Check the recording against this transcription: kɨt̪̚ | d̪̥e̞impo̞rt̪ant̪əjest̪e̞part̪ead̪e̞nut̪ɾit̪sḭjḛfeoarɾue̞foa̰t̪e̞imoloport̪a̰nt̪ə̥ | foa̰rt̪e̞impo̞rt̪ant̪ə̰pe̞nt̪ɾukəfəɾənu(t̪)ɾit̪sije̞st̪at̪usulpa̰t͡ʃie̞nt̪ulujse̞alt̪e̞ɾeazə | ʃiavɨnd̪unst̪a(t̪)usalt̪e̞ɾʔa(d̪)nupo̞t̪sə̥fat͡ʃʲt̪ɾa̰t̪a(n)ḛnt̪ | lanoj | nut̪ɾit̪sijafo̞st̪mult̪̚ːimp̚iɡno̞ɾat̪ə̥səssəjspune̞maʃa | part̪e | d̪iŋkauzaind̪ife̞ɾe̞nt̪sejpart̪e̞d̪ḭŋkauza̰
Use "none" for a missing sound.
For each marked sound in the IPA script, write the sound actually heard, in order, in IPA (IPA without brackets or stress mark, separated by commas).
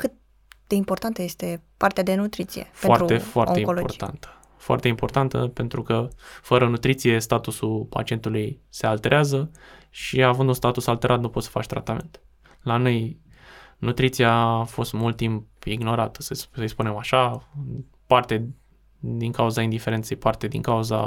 t̪, t̪, t̪, m